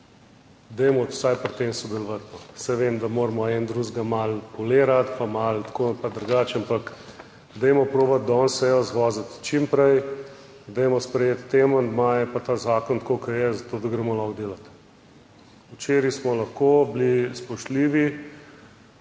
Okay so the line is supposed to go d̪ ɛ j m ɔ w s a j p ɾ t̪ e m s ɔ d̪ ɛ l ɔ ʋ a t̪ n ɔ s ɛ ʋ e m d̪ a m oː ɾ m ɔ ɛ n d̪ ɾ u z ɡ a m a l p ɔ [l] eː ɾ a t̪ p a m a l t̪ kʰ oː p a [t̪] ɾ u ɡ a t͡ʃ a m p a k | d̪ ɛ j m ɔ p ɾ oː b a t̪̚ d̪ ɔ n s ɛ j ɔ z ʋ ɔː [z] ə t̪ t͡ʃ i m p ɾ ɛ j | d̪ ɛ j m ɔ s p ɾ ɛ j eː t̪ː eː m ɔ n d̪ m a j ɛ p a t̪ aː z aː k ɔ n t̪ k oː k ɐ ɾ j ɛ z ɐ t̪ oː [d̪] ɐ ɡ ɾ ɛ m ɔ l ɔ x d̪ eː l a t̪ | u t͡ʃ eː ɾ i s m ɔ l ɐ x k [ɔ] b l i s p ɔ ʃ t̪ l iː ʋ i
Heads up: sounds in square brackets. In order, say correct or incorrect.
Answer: correct, incorrect: d̪, correct, correct, incorrect: o

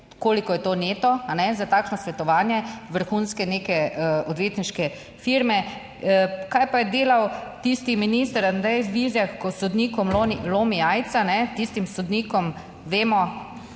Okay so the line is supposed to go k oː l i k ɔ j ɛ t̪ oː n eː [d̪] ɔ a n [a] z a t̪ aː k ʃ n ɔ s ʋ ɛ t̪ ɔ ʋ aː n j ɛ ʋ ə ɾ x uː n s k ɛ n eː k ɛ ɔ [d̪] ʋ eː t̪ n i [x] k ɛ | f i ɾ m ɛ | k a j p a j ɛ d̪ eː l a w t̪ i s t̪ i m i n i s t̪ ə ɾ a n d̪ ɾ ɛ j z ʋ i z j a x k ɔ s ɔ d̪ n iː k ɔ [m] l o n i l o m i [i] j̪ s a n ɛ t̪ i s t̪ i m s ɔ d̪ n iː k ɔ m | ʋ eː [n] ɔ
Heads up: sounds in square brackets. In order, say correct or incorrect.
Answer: incorrect: t̪, incorrect: ɛ, correct, incorrect: ʃ, correct, incorrect: a, incorrect: m

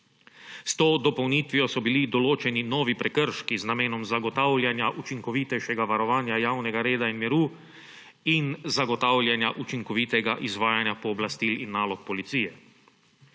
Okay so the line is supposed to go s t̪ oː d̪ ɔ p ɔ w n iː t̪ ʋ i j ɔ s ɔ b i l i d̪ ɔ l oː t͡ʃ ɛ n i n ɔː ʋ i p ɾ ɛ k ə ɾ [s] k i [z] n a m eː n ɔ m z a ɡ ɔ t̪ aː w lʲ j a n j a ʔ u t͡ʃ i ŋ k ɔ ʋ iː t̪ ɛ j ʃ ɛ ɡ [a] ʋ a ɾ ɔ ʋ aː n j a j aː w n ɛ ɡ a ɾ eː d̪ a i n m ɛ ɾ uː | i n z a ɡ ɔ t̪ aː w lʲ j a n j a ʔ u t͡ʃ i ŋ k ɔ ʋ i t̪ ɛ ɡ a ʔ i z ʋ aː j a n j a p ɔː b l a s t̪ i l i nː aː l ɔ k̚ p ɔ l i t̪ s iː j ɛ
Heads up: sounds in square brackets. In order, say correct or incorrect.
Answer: incorrect: ʃ, correct, correct

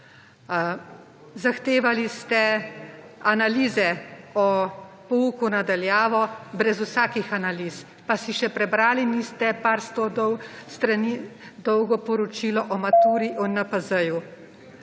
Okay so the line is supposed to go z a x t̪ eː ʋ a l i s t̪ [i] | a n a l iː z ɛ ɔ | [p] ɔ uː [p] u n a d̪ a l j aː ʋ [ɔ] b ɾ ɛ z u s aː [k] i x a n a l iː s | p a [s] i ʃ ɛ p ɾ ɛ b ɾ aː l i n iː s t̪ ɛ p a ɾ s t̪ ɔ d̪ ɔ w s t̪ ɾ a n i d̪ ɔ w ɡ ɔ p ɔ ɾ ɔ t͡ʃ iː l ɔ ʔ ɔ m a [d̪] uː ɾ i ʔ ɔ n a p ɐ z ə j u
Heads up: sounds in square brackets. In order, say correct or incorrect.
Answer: incorrect: ɛ, correct, incorrect: k, correct, correct, correct, incorrect: t̪

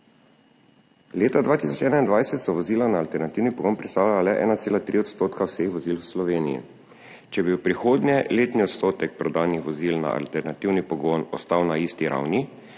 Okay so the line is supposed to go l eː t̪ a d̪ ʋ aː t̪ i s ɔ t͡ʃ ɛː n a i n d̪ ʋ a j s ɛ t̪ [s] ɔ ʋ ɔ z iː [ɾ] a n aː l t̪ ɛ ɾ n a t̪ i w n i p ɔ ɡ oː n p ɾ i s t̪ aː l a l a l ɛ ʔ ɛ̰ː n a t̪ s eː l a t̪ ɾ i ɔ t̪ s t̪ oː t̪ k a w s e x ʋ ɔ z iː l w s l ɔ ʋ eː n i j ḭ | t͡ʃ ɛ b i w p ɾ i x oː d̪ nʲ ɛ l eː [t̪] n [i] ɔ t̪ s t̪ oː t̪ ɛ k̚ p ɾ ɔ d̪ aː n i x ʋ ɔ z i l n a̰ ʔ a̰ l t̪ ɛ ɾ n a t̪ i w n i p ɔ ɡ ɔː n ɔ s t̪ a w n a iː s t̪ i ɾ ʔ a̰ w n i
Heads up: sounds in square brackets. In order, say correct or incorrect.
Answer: correct, incorrect: l, correct, correct

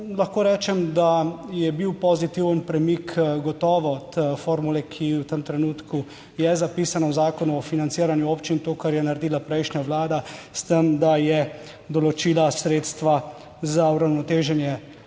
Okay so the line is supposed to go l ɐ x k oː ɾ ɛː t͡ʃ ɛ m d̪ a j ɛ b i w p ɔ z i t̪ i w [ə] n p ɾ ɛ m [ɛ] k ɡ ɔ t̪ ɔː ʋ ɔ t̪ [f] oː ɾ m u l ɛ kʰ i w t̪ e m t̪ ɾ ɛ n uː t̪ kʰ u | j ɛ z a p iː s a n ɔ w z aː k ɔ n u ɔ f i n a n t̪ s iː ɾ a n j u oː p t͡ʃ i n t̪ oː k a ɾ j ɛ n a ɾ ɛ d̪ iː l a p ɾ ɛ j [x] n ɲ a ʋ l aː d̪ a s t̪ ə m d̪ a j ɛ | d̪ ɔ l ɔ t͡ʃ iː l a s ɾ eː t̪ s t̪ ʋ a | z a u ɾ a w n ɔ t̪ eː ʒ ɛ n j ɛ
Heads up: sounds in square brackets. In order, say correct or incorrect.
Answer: correct, incorrect: i, correct, incorrect: ʃ

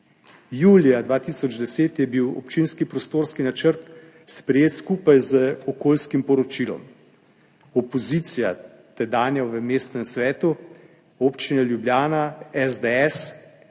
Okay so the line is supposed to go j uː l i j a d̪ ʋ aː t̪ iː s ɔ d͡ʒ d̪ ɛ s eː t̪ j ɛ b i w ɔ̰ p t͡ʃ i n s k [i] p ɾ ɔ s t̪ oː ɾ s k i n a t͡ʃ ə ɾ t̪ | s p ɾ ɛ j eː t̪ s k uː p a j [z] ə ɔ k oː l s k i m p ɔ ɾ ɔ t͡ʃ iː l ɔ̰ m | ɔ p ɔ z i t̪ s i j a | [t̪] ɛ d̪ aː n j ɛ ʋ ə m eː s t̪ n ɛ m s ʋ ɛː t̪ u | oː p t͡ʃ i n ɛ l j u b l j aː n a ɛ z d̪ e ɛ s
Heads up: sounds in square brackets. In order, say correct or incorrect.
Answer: correct, correct, correct

